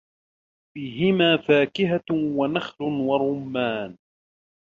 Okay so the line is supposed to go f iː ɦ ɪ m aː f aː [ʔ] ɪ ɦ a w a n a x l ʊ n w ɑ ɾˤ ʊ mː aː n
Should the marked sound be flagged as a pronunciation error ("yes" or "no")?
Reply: yes